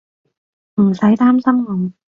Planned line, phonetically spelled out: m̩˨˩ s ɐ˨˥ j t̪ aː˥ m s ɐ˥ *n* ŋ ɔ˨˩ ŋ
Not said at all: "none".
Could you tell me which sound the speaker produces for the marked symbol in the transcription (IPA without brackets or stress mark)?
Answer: m